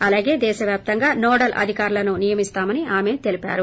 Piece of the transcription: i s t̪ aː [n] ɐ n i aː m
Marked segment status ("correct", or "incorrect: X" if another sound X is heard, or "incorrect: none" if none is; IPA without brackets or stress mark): incorrect: m